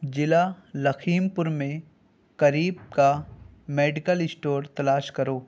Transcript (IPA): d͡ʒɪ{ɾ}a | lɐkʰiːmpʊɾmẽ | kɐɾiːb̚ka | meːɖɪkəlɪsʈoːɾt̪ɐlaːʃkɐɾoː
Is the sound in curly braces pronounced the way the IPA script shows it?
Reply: no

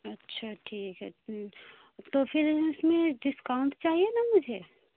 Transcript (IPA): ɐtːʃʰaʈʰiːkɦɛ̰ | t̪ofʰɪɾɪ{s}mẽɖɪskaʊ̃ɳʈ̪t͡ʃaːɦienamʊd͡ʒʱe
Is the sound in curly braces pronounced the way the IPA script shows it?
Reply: yes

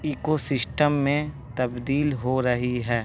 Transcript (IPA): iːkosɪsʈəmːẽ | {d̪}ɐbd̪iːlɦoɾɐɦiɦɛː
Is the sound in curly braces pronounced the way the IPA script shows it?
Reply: no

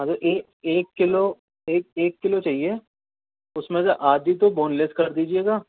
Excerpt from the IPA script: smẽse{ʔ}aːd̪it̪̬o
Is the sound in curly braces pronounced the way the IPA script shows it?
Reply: yes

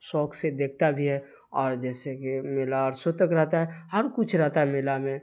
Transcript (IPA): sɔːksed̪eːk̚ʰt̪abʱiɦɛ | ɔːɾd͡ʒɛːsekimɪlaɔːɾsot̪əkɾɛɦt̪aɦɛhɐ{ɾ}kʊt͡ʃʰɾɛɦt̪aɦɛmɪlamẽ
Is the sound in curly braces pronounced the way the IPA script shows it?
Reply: yes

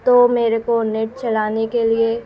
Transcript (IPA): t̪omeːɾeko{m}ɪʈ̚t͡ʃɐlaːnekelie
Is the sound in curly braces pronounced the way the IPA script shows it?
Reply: no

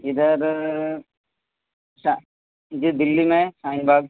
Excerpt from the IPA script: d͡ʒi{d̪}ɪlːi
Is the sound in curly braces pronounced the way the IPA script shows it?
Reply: yes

